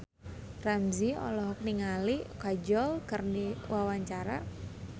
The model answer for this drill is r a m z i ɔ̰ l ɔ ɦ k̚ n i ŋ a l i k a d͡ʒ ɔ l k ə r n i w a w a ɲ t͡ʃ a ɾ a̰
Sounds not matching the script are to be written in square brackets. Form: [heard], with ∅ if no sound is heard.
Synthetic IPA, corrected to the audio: r a m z i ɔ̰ l ɔ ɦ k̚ n i ŋ a l i k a d͡ʒ ɔ l k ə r n i w a w a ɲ t͡ʃ a ɾ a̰